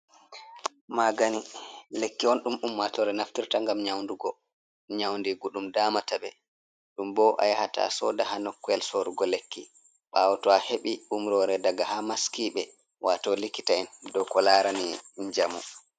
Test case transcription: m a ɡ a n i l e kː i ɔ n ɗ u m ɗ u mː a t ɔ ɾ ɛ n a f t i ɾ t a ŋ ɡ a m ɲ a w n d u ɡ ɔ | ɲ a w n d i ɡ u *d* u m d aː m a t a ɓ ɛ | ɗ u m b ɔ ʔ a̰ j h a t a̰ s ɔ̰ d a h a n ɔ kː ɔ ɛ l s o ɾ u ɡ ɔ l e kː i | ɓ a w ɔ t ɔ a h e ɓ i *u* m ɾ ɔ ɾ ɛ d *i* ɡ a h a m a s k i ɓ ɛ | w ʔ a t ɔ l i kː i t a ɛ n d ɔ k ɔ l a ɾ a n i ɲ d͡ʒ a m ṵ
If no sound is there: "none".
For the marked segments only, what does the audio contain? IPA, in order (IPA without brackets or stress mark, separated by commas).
ɗ, u, a